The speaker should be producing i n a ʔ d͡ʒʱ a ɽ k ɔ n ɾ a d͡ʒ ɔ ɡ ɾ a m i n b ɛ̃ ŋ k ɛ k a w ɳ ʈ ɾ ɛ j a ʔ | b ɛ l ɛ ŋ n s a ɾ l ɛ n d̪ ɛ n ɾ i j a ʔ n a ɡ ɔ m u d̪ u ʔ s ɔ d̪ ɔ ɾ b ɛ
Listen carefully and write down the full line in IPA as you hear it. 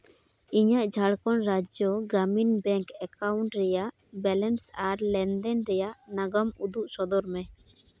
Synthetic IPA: i ɲ a ʔ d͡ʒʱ a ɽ k ɔ n ɾ a d͡ʒ ɔ ɡ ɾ a m i n b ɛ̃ ŋ k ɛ k a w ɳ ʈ ɾ ɛ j a ʔ | b ɛ l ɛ n s a ɾ l ɛ n d̪ ɛ n ɾ ɛ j a ʔ n a ɡ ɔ m u d̪ u ʔ s ɔ d̪ ɔ ɾ m ɛ